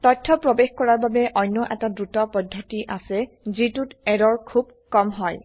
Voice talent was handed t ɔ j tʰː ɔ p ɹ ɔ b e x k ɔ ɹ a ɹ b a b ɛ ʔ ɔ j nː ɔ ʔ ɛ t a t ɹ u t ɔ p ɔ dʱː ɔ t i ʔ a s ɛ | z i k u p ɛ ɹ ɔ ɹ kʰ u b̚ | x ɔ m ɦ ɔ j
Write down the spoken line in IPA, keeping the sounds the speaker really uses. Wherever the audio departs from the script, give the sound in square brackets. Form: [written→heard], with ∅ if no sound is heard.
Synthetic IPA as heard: t ɔ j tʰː ɔ p ɹ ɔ b e x k ɔ ɹ a ɹ b a b ɛ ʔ ɔ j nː ɔ ʔ ɛ t a [t→d] ɹ u t ɔ p ɔ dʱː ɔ t i ʔ a s ɛ | z i [k→t] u [p→t] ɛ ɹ ɔ ɹ kʰ u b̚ | [x→k] ɔ m ɦ ɔ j